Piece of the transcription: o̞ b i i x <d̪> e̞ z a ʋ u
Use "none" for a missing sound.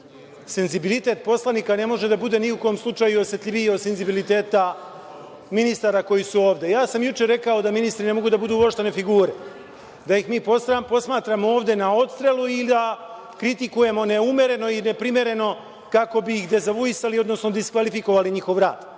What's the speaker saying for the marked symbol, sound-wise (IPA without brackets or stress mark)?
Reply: d̪